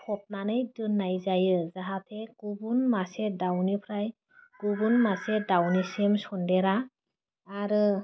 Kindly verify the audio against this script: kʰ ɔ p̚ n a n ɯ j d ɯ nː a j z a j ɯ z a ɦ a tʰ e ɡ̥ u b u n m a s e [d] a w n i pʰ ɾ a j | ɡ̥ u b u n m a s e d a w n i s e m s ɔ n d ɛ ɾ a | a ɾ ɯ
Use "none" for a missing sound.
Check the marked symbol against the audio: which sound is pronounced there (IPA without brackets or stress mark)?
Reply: d